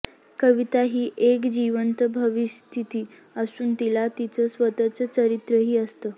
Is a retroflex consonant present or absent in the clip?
absent